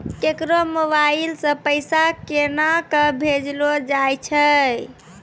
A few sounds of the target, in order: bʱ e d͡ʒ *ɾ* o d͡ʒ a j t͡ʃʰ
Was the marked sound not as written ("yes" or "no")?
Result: yes